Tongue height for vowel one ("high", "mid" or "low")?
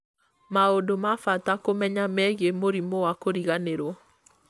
low